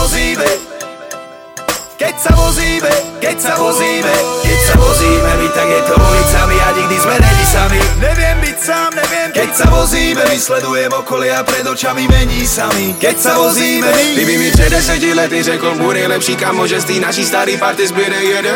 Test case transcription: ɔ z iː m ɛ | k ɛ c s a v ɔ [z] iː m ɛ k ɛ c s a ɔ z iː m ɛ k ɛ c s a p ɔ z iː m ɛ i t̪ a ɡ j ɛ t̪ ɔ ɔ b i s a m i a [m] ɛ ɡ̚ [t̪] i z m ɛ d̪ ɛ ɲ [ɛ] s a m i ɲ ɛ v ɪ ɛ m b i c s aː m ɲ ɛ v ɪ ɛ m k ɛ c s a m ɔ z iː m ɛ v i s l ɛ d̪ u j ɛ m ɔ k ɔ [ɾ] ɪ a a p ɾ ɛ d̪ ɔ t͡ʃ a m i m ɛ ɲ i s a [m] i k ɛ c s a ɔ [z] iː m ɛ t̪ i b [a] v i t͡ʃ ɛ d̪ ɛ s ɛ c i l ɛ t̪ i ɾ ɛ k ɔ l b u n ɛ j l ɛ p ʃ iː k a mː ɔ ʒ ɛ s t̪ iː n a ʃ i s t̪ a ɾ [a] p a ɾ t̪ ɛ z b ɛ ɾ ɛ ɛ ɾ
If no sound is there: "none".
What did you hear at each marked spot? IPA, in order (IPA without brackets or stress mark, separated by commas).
z, ɲ, d̪, i, l, m, z, i, i